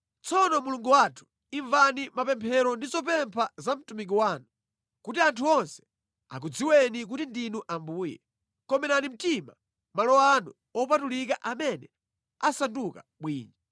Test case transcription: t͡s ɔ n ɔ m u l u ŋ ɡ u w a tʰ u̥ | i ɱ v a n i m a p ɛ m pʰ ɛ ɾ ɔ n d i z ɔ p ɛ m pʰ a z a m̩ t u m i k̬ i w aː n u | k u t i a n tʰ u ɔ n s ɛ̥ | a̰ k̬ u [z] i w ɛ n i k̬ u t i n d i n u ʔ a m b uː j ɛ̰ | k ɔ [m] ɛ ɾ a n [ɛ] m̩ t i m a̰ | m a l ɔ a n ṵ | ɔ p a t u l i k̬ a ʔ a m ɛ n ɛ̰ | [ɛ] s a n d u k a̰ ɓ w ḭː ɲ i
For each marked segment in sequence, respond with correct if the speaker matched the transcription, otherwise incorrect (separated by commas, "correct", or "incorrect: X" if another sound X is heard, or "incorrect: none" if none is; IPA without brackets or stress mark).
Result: incorrect: d͡z, correct, incorrect: i, incorrect: a